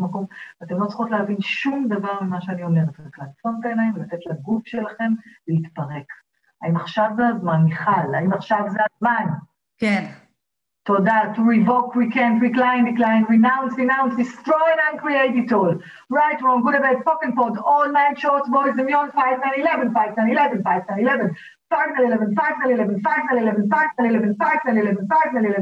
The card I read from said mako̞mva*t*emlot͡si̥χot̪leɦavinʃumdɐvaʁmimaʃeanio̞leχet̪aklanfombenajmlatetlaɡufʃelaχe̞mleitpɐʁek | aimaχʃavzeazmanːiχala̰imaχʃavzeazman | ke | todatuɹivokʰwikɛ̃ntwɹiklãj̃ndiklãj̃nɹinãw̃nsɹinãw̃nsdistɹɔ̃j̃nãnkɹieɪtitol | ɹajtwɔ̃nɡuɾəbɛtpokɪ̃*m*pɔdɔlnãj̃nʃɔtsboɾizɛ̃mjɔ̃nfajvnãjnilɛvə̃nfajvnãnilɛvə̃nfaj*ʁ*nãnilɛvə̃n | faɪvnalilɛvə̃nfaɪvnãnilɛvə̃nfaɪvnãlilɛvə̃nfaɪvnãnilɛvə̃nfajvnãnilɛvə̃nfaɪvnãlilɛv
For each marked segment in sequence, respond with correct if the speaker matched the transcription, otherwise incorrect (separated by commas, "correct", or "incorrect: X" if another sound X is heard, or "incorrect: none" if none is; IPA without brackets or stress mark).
correct, incorrect: ŋ, incorrect: v